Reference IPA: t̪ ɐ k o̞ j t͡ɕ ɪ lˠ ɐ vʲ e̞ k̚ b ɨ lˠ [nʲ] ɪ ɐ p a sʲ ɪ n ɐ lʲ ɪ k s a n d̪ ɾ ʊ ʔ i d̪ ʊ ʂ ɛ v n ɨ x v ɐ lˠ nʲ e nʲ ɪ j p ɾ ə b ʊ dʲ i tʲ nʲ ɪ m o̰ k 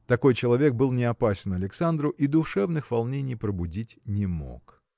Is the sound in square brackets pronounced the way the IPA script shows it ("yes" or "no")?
yes